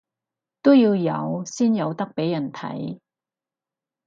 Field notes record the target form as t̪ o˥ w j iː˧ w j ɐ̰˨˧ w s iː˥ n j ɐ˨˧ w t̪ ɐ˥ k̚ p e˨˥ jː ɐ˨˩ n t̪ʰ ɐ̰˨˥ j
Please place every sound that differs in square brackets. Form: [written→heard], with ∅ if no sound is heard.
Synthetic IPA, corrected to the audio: t̪ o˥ w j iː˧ w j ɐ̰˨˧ w s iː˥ n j ɐ˨˧ w t̪ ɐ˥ k̚ p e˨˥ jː ɐ˨˩ n t̪ʰ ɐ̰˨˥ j